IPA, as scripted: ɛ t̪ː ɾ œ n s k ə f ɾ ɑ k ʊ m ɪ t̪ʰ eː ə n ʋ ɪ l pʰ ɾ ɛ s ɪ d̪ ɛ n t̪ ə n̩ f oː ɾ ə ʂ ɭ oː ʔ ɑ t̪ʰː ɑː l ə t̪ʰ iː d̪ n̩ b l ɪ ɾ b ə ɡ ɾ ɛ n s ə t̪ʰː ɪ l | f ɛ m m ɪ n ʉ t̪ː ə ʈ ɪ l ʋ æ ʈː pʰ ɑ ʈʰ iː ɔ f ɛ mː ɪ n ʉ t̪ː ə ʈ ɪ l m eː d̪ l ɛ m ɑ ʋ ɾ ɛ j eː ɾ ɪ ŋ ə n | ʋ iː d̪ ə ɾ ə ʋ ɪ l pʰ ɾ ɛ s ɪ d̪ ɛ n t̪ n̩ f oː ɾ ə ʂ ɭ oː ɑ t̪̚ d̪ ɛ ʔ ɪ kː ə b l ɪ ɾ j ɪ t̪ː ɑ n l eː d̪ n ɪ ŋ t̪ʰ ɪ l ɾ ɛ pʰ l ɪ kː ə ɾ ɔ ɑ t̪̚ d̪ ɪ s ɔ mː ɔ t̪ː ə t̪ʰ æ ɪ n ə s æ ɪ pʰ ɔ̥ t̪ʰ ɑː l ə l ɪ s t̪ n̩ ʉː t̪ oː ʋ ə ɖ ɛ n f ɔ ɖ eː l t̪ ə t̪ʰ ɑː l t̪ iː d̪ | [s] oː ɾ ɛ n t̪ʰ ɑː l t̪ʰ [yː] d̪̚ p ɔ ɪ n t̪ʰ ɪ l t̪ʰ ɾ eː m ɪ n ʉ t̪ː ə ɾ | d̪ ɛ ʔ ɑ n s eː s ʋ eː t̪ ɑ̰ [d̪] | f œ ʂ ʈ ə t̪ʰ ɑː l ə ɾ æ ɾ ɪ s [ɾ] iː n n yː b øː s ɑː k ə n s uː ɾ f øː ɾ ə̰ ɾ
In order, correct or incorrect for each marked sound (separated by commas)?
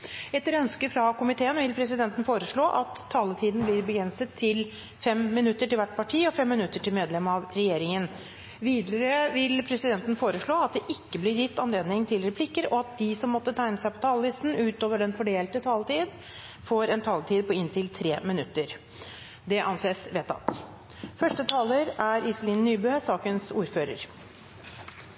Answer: incorrect, incorrect, incorrect, incorrect